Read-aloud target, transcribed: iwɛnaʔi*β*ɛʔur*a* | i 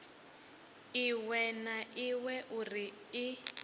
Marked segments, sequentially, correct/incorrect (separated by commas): incorrect, incorrect